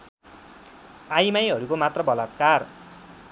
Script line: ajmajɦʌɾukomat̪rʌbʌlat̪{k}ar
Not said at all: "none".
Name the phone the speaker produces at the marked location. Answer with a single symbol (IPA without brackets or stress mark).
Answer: k